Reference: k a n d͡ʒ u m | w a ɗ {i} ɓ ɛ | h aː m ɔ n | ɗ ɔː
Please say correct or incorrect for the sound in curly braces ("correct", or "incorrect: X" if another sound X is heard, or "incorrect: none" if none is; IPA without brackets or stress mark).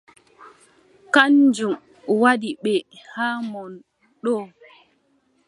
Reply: correct